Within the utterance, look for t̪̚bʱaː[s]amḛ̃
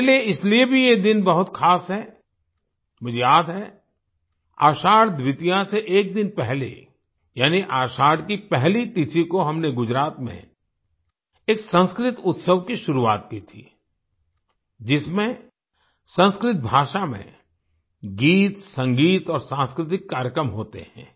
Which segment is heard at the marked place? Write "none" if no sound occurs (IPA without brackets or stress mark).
ʃ